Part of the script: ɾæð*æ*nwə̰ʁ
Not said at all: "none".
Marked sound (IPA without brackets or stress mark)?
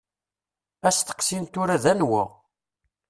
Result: æ